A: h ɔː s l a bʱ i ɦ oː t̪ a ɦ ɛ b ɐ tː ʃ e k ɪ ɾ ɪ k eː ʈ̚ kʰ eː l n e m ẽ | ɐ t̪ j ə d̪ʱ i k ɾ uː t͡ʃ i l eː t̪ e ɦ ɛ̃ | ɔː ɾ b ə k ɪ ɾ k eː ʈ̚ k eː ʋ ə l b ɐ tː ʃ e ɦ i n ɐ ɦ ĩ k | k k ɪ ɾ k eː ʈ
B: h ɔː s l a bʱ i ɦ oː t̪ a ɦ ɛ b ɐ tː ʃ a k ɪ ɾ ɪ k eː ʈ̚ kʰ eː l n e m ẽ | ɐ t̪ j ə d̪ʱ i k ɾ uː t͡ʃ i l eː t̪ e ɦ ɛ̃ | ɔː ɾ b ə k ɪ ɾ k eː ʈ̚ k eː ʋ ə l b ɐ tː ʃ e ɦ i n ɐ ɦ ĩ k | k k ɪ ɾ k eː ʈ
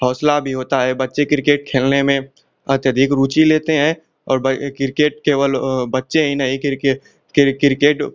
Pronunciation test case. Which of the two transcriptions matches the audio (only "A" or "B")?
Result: A